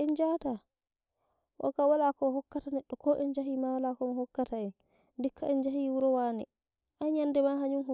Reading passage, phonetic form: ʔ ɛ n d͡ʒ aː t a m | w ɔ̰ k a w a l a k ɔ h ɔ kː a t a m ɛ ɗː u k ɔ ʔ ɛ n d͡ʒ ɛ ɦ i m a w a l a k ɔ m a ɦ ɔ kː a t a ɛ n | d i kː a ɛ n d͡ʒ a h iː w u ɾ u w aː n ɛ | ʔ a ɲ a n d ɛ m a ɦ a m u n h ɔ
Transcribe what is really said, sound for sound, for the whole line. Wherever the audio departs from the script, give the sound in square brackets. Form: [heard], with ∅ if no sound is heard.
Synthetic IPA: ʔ ɛ n d͡ʒ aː t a [∅] | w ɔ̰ k a w a l a k ɔ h ɔ kː a t a [n] ɛ ɗː [ɔ] k ɔ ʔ ɛ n d͡ʒ [a] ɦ i m a w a l a k ɔ m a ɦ ɔ kː a t a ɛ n | d i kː a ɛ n d͡ʒ a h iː w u ɾ [ɔ] w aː n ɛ | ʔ a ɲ a n d ɛ m a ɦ a [ɲ] u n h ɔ